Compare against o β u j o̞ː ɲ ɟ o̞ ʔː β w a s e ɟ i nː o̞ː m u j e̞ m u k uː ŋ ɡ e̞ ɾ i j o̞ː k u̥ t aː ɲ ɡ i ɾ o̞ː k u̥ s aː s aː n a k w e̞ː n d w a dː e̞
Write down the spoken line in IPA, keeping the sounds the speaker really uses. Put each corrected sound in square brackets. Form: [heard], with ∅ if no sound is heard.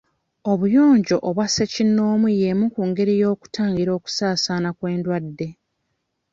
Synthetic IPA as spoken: o β u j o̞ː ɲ ɟ o̞ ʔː β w a s e [c] i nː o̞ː m u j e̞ m u k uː ŋ ɡ e̞ ɾ i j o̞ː k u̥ t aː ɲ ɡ i ɾ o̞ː k u̥ s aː s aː n a k w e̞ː n d w a dː e̞

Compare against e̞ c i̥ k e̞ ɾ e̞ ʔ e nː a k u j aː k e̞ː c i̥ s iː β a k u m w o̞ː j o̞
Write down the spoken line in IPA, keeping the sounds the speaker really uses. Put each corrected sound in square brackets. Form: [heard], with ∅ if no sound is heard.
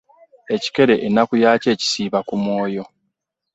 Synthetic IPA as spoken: e̞ c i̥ k e̞ ɾ e̞ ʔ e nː a k u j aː [c] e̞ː c i̥ s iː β a k u m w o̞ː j o̞

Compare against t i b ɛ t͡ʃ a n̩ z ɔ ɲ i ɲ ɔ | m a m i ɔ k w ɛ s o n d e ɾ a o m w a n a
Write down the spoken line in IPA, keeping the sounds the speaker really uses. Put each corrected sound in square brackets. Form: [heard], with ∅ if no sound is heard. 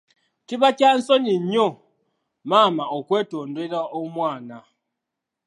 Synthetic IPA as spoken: t i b [a] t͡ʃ a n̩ [s] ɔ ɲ i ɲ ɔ | m a m [a] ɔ k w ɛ [t] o n d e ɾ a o m w a n a

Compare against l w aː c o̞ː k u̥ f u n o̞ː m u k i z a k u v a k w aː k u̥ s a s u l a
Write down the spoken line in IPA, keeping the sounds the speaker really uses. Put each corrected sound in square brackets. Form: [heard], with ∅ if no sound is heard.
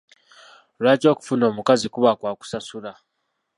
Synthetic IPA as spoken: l w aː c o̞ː k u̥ f u n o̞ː m u k [a] z [i] k u [β] a k w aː k u̥ s a s u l a

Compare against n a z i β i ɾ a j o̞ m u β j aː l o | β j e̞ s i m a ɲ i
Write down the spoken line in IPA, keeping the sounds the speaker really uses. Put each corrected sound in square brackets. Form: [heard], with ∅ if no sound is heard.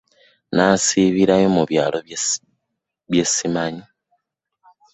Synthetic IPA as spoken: n a [s] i β i ɾ a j o̞ m u β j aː l o | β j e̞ s i m a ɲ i

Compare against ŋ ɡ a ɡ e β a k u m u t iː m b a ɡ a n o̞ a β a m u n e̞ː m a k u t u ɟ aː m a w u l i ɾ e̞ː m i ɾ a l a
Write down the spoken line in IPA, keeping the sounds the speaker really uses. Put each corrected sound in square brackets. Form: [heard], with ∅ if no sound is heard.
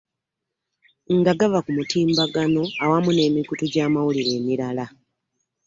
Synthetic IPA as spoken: ŋ ɡ a ɡ [a] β a k u m u t iː m b a ɡ a n o̞ a [w] a m u n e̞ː m [i] k u t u ɟ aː m a w u l i ɾ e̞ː m i ɾ a l a

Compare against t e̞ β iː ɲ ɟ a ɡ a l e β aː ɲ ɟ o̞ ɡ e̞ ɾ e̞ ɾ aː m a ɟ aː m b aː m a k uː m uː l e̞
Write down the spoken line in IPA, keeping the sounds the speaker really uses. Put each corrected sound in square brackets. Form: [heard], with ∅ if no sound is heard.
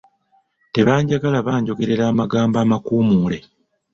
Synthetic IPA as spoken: t e̞ β [aː] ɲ ɟ a ɡ a l [a] β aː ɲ ɟ o̞ ɡ e̞ ɾ e̞ ɾ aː m a [ɡ] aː m b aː m a k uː m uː l e̞

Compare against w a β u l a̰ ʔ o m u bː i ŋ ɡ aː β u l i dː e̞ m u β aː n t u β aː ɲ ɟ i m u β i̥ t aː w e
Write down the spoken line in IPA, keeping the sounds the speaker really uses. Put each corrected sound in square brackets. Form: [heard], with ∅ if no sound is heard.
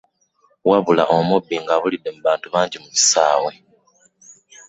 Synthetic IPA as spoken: w a β u l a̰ ʔ o m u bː i ŋ ɡ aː β u l i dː e̞ m u β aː n t u β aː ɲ ɟ i m u β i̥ [s] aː w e

